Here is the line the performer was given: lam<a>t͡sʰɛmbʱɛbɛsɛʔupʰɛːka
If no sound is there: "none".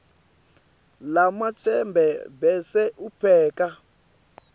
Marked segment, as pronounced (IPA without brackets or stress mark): a